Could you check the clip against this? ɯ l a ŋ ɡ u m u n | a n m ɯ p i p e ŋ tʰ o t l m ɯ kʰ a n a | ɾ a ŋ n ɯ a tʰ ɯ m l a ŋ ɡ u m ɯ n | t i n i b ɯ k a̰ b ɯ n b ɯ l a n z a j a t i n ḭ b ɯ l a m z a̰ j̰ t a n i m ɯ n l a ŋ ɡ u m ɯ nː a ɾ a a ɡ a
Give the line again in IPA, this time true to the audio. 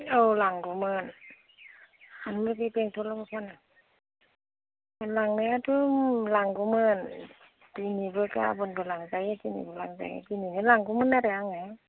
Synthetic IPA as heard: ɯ l a ŋ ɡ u m ɯ n | a n m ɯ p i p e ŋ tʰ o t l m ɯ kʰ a n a | l a ŋ n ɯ a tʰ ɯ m l a ŋ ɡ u m ɯ n | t i n i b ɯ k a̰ b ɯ n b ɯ l a ŋ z a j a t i n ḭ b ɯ l a ŋ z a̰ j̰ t i n i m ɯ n l a ŋ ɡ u m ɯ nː a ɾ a a ŋ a

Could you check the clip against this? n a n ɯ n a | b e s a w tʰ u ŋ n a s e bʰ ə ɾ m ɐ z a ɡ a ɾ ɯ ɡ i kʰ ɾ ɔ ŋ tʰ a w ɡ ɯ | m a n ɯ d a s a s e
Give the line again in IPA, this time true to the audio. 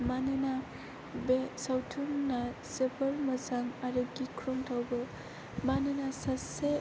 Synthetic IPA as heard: m a n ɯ n a | b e s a w tʰ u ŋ n a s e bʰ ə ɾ m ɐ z a ŋ a ɾ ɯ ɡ i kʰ ɾ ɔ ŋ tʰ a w b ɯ | m a n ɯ n a s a s e

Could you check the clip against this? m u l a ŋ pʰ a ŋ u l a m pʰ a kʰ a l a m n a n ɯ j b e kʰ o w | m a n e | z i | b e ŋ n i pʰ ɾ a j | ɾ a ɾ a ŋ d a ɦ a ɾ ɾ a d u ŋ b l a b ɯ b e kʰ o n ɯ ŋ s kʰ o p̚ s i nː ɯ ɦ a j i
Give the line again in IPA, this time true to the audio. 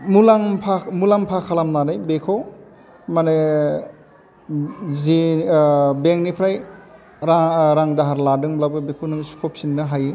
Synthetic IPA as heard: m u l a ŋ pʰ a m u l a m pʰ a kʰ a l a m n a n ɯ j b e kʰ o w | m a n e | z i | b e ŋ n i pʰ ɾ a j | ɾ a ɾ a ŋ d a ɦ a ɾ l a d ɯ ŋ b l a b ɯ b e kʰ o n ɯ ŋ s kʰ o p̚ s i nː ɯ ɦ a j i

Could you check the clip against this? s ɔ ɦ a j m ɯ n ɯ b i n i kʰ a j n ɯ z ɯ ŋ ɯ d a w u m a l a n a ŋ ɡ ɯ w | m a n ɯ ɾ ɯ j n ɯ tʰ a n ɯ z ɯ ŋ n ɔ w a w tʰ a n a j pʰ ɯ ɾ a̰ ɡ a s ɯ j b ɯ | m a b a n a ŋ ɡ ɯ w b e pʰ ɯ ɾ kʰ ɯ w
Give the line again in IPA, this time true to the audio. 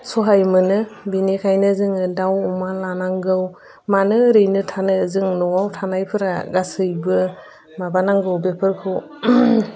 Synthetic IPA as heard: s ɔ ɦ a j m ɯ n ɯ b i n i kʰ a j n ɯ z ɯ ŋ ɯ d a w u m a l a n a ŋ ɡ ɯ w | m a n ɯ ɾ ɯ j n ɯ tʰ a n ɯ z ɯ ŋ n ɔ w a w tʰ a n a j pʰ ɯ ɾ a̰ ɡ a s ɯ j b ɯ | m a b a n a ŋ ɡ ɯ w b e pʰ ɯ ɾ kʰ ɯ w

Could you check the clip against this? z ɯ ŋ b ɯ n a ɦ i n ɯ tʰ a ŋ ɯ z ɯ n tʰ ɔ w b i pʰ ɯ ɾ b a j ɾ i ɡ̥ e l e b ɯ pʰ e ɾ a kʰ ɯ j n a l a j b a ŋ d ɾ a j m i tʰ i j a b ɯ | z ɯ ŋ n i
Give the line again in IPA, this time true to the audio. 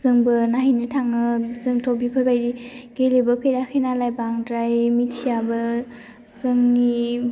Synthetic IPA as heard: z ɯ ŋ b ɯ n a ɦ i n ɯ tʰ a ŋ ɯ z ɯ ŋ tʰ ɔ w b i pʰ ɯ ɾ b a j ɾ i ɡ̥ e l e b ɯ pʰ e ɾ a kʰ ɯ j n a l a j b a ŋ d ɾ a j m i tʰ i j a b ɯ | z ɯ ŋ n i

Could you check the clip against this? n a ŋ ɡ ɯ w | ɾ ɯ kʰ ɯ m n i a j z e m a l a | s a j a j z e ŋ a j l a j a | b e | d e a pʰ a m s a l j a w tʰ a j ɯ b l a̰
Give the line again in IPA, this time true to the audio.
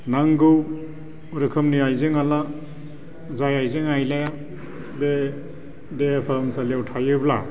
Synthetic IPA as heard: n a ŋ ɡ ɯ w | ɾ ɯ kʰ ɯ m n i a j z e ŋ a l a | z a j a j z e ŋ a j l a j a | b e | d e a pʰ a m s a l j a w tʰ a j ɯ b l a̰

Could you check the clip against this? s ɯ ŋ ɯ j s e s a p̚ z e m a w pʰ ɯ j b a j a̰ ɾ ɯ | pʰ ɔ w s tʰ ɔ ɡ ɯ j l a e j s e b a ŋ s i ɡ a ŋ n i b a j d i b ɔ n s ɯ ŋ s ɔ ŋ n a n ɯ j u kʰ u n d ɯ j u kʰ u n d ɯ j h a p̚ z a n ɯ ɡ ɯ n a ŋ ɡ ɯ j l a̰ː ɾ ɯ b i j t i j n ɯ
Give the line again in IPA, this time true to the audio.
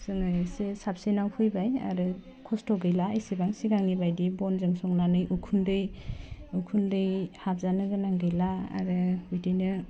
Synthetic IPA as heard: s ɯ ŋ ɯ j s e s a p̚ s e n a w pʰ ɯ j b a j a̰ ɾ ɯ | kʰ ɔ s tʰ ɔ ɡ ɯ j l a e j s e b a ŋ s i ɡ a ŋ n i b a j d i b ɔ n z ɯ ŋ s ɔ ŋ n a n ɯ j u kʰ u n d ɯ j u kʰ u n d ɯ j h a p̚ z a n ɯ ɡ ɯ n a ŋ ɡ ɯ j l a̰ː ɾ ɯ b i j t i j n ɯ

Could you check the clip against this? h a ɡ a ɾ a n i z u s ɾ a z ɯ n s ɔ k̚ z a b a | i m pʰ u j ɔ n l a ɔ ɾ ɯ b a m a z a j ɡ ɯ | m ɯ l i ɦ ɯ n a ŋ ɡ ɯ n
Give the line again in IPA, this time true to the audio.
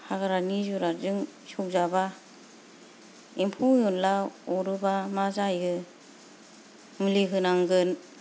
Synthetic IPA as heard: h a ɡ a ɾ a n i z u ɾ a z ɯ ŋ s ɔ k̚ z a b a | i m pʰ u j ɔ n l a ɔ ɾ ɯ b a m a z a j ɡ ɯ | m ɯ l i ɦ ɯ n a ŋ ɡ ɯ n

